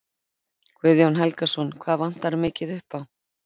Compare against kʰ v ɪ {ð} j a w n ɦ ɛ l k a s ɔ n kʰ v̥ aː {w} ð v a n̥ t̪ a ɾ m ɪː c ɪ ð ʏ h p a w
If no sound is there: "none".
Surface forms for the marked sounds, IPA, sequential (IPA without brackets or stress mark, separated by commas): ð, none